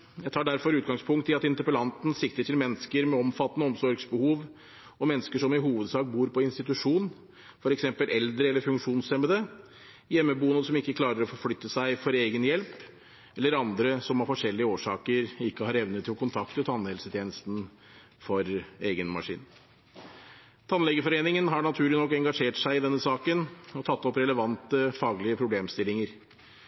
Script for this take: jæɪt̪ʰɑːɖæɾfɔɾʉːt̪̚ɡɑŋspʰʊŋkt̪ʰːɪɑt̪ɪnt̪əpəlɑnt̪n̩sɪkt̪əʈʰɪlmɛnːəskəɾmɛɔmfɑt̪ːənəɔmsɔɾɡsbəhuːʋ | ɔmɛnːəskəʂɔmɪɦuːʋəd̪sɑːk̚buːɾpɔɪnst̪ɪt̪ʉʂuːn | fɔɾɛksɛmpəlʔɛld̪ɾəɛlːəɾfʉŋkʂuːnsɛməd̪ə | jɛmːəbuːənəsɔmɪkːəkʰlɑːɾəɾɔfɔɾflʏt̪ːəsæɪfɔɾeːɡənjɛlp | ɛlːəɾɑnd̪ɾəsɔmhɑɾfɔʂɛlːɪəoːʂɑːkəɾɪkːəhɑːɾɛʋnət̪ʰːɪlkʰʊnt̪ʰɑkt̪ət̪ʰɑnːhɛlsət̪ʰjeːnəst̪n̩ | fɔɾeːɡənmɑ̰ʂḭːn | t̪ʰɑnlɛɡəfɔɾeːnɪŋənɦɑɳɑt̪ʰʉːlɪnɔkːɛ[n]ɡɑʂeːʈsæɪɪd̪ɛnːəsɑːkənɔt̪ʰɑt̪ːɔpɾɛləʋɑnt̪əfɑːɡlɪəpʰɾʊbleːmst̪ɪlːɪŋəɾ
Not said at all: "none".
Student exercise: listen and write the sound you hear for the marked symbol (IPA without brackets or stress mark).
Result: ŋ